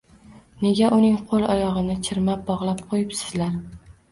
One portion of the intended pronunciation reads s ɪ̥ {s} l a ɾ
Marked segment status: incorrect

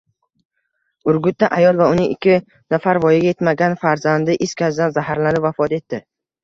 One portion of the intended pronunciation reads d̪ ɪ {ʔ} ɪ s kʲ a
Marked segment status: correct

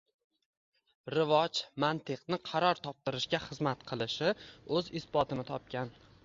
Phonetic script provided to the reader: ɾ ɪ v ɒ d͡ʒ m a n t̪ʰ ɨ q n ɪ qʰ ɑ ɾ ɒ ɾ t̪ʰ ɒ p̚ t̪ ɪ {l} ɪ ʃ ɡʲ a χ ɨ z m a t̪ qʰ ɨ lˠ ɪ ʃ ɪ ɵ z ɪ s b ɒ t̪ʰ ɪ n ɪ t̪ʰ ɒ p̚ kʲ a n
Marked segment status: incorrect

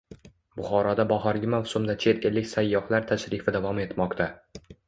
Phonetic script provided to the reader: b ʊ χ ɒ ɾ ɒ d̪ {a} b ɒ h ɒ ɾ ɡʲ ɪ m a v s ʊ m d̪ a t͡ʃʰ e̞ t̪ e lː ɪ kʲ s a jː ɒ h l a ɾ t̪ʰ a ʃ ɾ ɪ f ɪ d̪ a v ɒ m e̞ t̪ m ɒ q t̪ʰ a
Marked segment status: correct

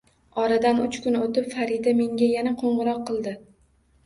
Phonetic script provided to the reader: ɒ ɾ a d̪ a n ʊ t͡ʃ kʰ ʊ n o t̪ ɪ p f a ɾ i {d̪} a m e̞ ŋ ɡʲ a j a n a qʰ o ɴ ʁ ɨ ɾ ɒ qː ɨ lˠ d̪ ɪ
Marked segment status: correct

